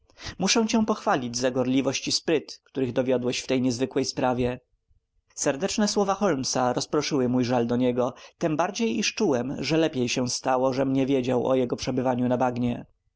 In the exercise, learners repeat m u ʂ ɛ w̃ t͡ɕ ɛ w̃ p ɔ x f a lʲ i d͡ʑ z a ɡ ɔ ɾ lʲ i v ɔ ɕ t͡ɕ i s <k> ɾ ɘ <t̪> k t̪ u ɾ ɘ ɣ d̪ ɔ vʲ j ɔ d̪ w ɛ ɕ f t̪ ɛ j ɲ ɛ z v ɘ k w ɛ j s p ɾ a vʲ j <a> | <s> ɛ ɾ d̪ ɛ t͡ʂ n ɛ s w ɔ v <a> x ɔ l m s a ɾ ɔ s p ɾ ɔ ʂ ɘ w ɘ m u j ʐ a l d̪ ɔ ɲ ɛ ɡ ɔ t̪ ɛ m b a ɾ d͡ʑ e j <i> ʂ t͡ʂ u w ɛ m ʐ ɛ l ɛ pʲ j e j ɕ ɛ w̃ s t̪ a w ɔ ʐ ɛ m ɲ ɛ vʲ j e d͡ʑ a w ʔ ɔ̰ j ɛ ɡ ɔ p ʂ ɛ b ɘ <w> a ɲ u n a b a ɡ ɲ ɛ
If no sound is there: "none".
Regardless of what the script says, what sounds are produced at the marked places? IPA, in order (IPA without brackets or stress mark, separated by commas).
p, t̪, ɛ, s, a, i, v